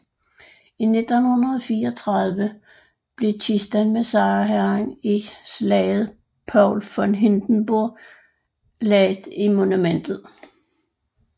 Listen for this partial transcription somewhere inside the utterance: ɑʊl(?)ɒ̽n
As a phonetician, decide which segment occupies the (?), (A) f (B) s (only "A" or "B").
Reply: A